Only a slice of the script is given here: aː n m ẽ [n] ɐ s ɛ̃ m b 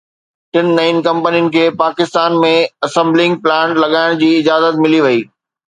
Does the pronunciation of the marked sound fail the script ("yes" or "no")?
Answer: yes